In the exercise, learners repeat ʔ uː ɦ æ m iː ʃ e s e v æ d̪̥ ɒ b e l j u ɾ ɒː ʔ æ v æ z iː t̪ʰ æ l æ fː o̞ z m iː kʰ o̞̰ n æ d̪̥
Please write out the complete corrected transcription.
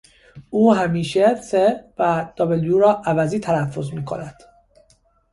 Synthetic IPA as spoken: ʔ uː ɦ æ m iː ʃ e s e v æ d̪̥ ɒ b e l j u ɾ ɒː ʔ æ v æ z iː t̪ʰ æ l æ fː o̞ z m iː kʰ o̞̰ n æ d̪̥